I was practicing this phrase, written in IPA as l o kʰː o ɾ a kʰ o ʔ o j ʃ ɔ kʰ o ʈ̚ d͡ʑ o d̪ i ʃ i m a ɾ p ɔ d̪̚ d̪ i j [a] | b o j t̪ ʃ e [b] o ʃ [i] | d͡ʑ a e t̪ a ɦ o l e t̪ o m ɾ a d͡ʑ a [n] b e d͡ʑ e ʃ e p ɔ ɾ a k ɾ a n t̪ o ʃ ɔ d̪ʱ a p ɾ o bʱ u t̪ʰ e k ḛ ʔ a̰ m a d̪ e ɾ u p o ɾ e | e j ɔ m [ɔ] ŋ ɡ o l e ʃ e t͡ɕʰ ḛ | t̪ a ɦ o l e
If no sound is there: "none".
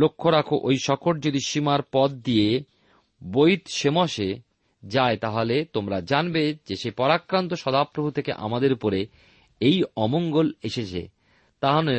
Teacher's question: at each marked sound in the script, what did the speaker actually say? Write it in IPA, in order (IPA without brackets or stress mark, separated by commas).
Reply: e, m, e, n, o